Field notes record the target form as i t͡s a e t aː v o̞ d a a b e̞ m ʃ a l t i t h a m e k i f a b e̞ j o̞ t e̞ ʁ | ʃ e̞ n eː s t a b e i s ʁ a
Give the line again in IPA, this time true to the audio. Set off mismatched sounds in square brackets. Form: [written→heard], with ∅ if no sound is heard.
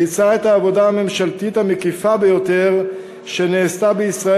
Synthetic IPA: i t͡s a e t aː v o̞ d a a [b→m] e̞ m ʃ a l t i t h a m e k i f a b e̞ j o̞ t e̞ ʁ | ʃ e̞ n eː s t a b e i s ʁ a